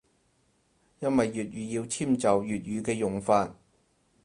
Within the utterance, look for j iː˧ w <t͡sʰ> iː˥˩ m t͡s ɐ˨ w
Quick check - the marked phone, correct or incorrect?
correct